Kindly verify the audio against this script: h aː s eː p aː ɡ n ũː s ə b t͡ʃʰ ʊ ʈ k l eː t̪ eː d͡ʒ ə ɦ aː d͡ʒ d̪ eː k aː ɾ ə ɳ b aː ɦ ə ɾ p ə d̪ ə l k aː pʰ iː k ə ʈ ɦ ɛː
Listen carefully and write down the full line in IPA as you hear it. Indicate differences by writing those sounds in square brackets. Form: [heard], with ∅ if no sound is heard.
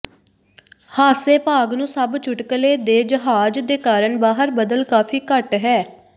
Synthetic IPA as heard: h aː s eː p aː ɡ n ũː s ə b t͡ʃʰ ʊ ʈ k l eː [d̪] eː d͡ʒ ə ɦ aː d͡ʒ d̪ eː k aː ɾ ə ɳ b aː ɦ ə ɾ [b] ə d̪ ə l k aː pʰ iː k ə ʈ ɦ ɛː